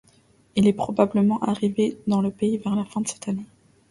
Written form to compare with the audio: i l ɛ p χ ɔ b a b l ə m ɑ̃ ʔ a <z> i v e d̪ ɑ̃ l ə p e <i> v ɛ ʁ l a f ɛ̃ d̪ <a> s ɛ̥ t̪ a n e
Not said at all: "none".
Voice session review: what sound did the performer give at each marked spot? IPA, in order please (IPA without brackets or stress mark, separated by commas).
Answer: ʁ, i, ə